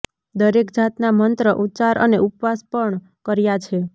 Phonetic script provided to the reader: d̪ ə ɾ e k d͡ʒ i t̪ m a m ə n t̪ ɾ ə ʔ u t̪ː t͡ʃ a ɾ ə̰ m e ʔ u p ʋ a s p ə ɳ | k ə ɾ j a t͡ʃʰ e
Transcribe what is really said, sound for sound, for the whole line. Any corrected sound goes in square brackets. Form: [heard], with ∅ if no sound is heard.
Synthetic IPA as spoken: d̪ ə ɾ e k d͡ʒ [a] t̪ [n] a m ə n t̪ ɾ ə ʔ u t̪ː t͡ʃ a ɾ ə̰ [n] e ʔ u p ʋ a s p ə ɳ | k ə ɾ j a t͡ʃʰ e